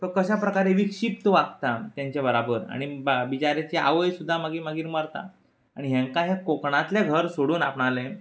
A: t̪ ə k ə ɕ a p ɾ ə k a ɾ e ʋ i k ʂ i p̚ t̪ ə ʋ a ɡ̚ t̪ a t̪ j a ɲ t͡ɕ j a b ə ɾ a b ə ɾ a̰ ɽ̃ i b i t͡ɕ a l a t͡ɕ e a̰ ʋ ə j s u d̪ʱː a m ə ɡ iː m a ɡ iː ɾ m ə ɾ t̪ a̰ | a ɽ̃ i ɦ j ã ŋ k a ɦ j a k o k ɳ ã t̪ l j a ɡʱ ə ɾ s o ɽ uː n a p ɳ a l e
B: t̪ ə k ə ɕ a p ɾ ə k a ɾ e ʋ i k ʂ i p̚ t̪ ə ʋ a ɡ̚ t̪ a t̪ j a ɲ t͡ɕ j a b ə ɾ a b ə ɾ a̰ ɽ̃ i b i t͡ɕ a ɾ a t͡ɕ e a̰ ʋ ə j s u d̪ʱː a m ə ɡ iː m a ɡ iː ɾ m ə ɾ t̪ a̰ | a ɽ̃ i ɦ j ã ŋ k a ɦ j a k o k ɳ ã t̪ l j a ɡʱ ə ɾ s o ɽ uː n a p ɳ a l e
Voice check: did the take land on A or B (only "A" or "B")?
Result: B